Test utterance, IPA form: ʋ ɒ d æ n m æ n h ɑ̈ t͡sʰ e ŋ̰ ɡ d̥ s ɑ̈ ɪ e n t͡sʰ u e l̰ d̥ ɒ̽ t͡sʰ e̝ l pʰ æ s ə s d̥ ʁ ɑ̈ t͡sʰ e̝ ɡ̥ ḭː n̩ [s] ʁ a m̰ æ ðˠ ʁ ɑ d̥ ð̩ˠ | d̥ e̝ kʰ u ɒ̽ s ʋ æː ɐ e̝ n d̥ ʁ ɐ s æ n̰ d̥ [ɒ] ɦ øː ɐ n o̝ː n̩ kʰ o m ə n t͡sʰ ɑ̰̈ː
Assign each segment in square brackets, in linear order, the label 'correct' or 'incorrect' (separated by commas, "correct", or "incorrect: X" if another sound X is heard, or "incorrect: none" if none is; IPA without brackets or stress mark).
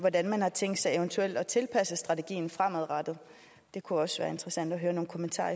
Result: incorrect: f, correct